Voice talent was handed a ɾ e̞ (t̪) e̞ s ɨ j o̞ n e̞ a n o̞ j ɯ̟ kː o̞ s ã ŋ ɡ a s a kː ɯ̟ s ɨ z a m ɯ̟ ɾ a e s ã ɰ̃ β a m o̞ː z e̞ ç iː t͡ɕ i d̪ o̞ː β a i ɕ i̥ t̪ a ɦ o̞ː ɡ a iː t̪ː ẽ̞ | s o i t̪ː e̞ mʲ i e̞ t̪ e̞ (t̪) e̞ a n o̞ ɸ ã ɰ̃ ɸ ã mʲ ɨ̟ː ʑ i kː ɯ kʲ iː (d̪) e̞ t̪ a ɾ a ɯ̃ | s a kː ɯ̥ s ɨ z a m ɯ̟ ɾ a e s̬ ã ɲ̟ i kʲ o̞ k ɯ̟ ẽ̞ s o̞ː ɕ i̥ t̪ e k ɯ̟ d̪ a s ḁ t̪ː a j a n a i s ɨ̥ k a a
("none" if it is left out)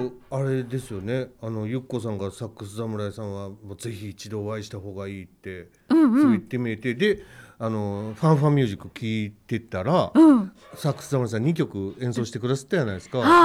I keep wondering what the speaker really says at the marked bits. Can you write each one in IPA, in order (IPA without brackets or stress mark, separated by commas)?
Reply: d̪, d̪, t̪